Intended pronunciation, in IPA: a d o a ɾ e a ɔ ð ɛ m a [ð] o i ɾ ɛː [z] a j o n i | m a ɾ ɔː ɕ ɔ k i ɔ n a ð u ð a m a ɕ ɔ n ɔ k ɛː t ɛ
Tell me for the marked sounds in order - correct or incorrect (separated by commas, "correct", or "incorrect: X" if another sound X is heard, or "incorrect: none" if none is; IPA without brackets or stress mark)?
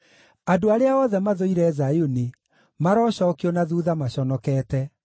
correct, correct